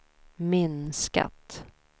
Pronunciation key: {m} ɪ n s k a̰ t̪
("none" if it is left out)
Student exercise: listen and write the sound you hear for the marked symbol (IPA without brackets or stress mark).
m